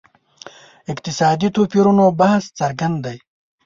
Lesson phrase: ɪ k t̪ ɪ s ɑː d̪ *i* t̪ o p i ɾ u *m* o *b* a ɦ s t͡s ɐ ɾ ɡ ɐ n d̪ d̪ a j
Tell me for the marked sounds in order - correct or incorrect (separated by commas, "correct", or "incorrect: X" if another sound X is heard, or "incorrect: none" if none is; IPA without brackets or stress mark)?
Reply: correct, incorrect: n, correct